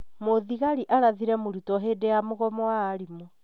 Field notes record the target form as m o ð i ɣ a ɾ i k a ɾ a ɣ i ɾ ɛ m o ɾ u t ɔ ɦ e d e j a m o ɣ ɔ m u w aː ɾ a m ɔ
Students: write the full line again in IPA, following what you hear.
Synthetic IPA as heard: m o ð i ɣ a ɾ i ʔ a ɾ a ð i ɾ ɛ m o ɾ u t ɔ ɦ e d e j a m o ɣ ɔ m ɔ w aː ɾ i m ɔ